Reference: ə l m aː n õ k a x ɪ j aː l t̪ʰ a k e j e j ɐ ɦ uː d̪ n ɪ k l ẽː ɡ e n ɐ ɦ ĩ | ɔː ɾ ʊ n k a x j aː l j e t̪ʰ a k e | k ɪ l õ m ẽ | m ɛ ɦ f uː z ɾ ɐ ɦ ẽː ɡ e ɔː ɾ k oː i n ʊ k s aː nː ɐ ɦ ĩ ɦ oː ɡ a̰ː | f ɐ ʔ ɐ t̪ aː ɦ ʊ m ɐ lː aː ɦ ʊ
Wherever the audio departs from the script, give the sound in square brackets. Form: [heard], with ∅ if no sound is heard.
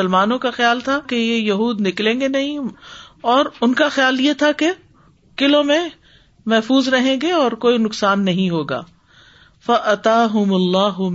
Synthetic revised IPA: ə l m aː n õ k a x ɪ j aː l t̪ʰ a k e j e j ɐ ɦ uː d̪ n ɪ k l ẽː ɡ e n ɐ ɦ ĩ | ɔː ɾ ʊ n k a x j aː l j e t̪ʰ a k e | k ɪ l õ m ẽ | m ɛ ɦ f uː z ɾ ɐ ɦ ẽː ɡ e ɔː ɾ k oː i n ʊ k s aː nː ɐ ɦ ĩ ɦ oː ɡ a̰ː | f ɐ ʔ ɐ t̪ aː ɦ ʊ m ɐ lː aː ɦ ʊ